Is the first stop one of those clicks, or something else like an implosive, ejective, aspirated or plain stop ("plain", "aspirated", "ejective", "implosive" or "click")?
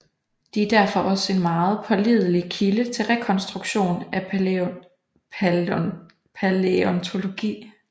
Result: plain